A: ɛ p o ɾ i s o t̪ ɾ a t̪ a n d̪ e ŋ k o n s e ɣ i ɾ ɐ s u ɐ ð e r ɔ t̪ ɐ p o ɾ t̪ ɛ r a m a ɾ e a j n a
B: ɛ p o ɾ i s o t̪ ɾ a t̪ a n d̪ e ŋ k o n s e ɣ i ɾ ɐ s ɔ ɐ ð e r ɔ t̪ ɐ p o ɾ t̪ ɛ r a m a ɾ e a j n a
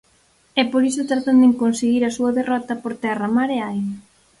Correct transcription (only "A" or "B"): A